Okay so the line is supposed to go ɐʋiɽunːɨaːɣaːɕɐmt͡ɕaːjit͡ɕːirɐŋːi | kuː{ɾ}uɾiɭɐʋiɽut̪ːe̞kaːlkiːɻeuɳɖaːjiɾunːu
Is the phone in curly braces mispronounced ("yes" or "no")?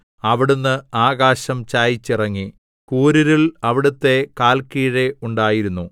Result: no